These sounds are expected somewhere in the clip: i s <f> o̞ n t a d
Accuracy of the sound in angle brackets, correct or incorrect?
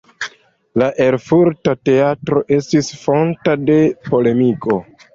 correct